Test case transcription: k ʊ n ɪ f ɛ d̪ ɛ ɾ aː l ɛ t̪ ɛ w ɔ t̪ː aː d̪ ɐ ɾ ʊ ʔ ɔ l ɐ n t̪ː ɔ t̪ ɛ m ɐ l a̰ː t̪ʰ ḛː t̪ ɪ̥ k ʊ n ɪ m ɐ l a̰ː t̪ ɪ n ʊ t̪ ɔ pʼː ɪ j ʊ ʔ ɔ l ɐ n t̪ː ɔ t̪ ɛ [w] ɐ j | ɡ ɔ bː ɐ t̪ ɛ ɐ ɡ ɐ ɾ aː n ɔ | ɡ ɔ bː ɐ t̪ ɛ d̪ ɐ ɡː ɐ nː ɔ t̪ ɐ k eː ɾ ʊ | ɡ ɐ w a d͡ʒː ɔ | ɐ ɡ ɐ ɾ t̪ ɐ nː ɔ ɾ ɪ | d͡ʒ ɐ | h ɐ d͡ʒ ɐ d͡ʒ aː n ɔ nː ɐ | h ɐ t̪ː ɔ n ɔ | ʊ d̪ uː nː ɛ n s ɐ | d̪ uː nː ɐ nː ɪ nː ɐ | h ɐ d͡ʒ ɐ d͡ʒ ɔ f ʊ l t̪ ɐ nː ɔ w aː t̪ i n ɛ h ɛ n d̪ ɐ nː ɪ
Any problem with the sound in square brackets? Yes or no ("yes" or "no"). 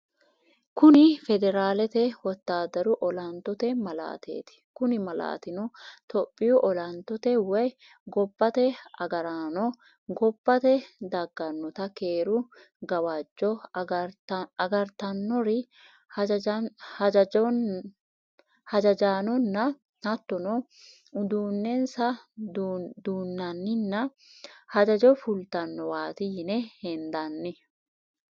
no